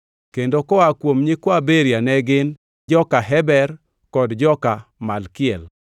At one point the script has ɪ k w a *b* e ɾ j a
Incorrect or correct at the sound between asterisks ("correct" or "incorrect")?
correct